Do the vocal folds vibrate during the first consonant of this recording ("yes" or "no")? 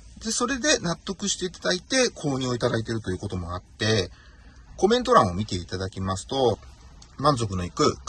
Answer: yes